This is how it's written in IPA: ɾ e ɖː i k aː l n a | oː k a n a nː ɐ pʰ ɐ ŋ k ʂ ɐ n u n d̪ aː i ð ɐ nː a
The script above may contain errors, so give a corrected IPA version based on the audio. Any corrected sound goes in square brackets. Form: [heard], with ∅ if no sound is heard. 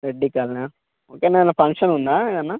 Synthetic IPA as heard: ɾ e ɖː i k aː l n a | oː k [e] n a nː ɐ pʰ ɐ ŋ k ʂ ɐ n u n d̪ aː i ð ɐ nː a